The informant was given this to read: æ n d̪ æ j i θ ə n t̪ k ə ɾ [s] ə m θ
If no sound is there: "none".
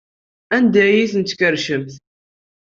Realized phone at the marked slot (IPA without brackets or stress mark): ʃ